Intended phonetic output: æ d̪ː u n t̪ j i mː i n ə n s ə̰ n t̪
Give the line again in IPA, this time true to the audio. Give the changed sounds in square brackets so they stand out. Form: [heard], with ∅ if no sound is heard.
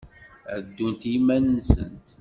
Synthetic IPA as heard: æ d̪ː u n t̪ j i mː [æ] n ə n s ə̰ n t̪